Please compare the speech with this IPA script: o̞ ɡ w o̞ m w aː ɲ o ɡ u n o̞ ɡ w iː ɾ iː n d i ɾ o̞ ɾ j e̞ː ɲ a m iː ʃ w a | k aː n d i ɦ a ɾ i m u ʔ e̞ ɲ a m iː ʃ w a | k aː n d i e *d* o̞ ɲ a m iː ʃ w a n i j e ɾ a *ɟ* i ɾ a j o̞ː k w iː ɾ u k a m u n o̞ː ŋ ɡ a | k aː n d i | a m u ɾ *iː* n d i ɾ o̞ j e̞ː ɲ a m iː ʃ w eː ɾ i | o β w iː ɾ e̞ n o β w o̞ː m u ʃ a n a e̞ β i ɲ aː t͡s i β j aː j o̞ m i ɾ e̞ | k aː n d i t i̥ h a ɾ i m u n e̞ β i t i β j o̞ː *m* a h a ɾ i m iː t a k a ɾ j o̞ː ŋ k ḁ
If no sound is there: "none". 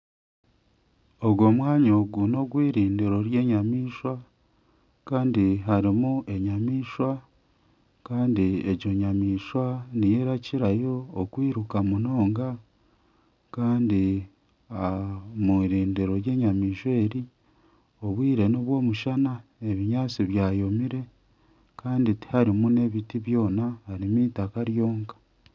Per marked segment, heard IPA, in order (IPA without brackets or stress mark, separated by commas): ɟ, c, iː, n